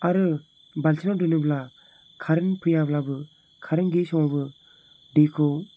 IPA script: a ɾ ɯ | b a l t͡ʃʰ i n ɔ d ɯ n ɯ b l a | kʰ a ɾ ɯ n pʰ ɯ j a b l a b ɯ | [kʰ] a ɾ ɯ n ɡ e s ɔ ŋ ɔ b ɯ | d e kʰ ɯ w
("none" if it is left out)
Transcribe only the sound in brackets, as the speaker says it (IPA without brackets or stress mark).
kʰ